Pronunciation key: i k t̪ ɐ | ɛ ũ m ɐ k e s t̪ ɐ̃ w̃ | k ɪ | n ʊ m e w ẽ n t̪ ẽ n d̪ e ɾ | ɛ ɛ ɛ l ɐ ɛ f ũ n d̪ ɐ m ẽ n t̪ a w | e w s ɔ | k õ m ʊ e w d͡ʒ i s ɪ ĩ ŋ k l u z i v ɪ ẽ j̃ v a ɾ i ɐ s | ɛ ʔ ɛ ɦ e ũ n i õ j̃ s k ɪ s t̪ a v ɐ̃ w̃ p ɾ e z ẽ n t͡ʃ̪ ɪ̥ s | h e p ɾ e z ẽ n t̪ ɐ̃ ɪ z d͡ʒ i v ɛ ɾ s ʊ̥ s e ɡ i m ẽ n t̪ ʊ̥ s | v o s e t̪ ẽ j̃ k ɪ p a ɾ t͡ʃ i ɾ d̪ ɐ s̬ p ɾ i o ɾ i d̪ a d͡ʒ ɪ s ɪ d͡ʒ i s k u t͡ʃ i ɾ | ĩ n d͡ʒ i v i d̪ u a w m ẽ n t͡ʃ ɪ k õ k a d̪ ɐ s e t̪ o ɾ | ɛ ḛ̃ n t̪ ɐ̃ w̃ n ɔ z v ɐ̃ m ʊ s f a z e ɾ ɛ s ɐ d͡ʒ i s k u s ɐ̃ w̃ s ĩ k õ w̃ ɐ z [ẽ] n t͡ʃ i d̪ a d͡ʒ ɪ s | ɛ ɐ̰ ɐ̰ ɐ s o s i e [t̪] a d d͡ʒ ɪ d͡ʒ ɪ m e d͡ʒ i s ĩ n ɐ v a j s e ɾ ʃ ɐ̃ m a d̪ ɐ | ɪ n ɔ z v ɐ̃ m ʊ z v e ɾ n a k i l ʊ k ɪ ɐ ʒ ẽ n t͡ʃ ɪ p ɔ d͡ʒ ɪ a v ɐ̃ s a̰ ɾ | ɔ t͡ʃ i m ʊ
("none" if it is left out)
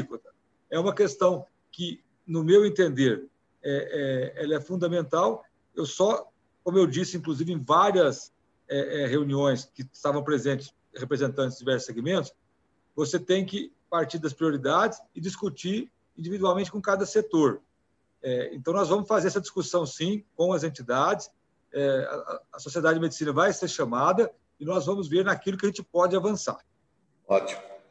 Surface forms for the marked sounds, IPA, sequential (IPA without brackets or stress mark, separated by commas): ẽ, d̪